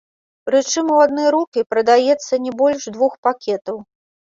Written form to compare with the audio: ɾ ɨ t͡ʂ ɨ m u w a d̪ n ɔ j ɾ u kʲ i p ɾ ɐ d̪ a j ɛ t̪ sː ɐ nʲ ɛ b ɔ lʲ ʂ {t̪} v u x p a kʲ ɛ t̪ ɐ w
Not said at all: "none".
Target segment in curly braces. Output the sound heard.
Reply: d̪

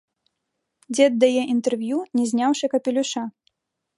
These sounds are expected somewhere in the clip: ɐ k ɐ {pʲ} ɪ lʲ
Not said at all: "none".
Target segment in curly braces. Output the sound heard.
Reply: pʲ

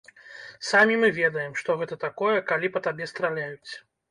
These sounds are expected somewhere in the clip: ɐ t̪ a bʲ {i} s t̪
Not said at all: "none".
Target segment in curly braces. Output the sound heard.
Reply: ɛ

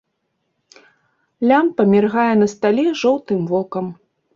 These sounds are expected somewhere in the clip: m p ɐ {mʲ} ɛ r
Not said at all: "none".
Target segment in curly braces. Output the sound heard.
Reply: mʲ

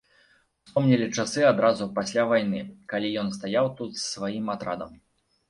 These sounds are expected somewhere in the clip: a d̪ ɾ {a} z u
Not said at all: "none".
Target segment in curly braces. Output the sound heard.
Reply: a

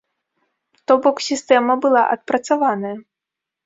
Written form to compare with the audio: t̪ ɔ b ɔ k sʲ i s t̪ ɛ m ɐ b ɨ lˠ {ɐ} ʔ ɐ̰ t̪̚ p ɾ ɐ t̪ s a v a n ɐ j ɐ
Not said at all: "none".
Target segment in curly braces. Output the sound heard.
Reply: a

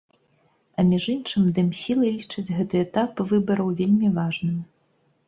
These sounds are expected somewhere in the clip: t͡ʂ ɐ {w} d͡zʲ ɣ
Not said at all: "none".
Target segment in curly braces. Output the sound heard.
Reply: none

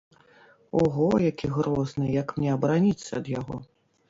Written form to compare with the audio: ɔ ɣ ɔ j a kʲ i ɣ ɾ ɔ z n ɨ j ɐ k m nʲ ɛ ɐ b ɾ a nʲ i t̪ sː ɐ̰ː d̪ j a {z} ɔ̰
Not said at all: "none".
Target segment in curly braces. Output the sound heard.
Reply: ɣ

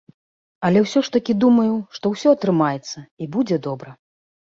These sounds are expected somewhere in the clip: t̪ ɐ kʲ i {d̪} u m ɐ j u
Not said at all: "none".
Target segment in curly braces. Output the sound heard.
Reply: d̪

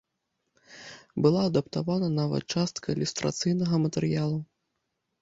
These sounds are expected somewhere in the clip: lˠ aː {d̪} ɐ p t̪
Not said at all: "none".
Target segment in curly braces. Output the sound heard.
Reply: d̪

